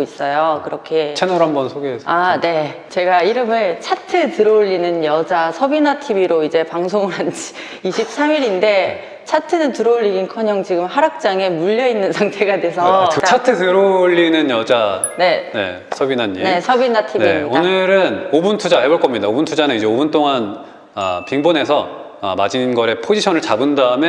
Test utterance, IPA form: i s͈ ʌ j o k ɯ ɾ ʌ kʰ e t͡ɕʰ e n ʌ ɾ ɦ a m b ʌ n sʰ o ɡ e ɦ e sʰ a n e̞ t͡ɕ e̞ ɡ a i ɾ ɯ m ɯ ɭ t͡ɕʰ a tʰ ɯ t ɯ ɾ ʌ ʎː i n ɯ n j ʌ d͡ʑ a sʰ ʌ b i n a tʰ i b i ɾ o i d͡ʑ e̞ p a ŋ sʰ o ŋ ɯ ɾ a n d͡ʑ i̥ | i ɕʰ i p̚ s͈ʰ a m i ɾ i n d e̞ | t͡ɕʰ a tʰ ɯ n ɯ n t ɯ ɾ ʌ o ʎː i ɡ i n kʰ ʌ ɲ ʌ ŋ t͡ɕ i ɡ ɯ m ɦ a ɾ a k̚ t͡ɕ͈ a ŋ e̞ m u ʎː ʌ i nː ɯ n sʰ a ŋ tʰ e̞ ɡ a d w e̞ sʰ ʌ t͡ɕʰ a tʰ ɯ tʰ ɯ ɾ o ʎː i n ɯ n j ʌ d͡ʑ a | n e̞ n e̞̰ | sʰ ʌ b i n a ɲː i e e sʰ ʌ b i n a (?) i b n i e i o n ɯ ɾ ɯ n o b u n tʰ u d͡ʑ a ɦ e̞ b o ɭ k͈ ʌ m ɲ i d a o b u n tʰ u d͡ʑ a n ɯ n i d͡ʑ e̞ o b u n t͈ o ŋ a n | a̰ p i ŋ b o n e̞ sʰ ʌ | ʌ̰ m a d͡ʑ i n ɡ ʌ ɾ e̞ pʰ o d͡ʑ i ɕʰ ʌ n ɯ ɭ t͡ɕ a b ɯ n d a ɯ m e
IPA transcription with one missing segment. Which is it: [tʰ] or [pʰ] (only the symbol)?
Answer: tʰ